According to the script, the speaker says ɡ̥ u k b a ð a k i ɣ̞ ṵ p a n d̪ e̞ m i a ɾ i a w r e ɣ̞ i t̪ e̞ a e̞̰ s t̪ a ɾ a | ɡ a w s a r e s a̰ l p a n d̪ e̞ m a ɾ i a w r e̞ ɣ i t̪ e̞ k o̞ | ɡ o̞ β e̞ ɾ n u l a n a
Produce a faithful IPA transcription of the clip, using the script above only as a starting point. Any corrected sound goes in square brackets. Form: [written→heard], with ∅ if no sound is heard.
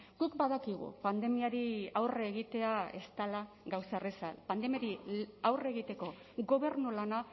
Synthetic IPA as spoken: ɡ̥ u k b a ð a k i ɣ̞ ṵ p a n d̪ e̞ m i a ɾ i a w r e ɣ̞ i t̪ e̞ a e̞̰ s t̪ a [ɾ→l] a | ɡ a w s a r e s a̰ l p a n d̪ e̞ m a ɾ i a w r e̞ ɣ i t̪ e̞ k o̞ | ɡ o̞ β e̞ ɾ n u l a n a